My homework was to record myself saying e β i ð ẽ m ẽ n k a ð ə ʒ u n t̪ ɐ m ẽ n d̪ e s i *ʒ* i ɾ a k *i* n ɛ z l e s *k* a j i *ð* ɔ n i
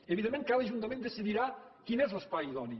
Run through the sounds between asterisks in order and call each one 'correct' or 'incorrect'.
incorrect, correct, incorrect, correct

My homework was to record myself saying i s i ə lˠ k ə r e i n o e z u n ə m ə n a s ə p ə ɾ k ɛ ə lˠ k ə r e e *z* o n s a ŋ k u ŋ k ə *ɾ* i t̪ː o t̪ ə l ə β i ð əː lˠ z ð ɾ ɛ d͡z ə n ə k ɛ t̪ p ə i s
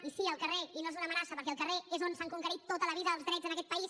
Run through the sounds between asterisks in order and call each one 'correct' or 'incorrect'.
correct, correct

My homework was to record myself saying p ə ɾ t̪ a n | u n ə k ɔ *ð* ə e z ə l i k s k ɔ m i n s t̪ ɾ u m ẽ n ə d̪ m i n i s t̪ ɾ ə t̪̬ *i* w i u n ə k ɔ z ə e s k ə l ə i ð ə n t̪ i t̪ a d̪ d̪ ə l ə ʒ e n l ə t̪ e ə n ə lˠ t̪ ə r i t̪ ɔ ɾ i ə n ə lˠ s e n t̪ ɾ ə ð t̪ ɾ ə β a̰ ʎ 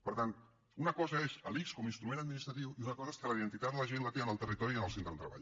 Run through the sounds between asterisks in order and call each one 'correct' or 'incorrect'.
incorrect, correct

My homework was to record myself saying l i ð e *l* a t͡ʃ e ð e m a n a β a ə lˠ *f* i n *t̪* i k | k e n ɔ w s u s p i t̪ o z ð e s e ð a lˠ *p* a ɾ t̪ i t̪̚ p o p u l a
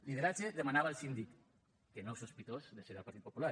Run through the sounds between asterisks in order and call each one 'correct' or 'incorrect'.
incorrect, incorrect, incorrect, correct

